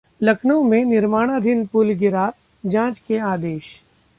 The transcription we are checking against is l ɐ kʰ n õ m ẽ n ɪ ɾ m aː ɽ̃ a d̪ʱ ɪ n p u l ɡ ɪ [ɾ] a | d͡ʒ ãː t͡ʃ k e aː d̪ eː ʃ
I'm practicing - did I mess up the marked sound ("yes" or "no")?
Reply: no